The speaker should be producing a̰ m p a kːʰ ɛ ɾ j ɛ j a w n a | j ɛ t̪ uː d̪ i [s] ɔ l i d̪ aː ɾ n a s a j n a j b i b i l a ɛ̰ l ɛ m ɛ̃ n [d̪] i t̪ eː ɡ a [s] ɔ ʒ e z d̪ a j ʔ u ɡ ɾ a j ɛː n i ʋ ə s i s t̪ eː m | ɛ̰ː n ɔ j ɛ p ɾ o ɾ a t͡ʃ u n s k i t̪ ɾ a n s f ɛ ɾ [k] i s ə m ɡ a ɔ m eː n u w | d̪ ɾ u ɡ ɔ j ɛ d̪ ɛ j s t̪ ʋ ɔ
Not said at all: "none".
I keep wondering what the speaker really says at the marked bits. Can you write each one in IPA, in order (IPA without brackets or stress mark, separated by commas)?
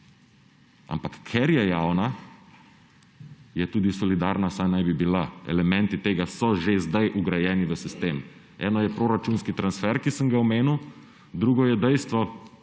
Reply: s, t̪, s, k